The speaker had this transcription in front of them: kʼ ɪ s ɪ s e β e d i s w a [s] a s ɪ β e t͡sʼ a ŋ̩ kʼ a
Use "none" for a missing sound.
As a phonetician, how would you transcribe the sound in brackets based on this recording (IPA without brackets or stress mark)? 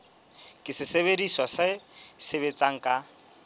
s